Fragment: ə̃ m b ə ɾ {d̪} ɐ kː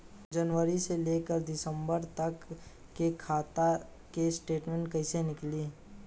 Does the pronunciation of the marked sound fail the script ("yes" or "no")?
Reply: yes